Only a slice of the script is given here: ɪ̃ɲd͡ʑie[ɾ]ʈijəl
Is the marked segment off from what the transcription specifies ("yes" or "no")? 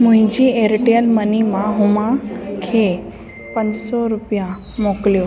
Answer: no